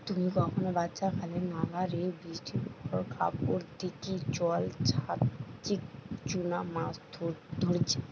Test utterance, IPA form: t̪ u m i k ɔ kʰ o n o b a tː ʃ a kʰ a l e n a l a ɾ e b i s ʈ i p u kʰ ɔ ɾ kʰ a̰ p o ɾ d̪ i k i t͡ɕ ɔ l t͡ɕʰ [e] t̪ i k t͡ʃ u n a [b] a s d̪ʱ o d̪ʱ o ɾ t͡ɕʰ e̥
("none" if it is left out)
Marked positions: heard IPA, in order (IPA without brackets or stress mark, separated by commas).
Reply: a, m